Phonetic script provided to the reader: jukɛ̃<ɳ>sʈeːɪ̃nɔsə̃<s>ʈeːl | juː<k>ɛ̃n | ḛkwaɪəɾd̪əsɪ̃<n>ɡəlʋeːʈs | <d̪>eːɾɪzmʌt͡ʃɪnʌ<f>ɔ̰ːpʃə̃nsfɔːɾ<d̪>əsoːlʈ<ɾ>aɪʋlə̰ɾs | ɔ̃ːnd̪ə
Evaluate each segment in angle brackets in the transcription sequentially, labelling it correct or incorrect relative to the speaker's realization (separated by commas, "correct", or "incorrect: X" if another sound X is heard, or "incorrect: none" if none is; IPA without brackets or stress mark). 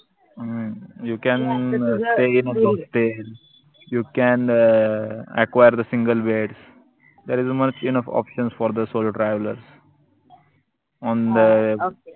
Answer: incorrect: n, correct, correct, incorrect: ŋ, correct, correct, correct, correct